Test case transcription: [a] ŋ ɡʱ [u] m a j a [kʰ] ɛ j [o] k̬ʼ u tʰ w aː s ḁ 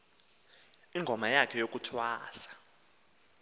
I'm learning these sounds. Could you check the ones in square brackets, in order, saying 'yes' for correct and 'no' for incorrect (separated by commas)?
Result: no, no, yes, yes